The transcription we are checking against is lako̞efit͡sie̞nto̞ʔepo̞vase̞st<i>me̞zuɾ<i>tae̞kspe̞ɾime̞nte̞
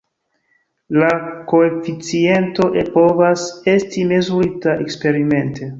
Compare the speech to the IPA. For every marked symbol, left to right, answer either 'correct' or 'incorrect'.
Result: correct, correct

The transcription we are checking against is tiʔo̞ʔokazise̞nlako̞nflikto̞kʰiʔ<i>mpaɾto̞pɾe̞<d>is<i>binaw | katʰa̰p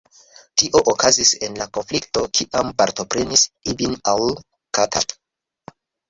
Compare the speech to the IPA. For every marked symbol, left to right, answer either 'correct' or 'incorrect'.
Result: incorrect: a, incorrect: n, correct

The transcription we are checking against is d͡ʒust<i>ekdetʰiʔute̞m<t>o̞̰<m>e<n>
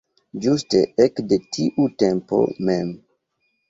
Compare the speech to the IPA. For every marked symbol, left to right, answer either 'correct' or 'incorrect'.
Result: incorrect: e, incorrect: p, correct, incorrect: m

